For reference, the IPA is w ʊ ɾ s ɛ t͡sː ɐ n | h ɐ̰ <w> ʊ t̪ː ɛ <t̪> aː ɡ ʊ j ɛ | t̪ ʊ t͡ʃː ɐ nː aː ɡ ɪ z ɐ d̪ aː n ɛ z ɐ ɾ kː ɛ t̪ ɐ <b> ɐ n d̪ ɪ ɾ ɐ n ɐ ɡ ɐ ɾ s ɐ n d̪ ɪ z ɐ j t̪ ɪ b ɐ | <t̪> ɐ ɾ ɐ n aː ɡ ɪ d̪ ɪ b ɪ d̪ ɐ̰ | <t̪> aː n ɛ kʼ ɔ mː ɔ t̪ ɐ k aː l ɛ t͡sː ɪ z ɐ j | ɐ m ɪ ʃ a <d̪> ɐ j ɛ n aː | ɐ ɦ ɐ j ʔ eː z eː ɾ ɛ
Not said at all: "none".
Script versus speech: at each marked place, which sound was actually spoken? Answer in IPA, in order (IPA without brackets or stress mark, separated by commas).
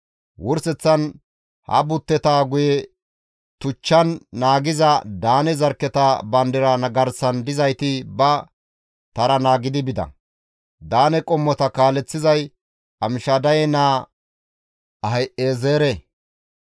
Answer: b, t̪, b, t̪, d̪, d̪